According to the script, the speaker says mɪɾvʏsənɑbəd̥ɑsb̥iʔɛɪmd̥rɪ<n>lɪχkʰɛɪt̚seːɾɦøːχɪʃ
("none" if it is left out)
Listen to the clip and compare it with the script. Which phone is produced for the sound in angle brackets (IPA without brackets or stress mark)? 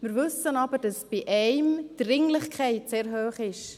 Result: ŋ